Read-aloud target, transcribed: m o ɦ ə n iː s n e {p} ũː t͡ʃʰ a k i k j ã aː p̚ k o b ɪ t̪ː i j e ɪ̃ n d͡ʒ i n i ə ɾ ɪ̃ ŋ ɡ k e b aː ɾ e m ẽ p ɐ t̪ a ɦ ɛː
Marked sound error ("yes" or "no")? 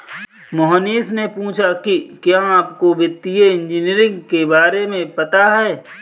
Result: no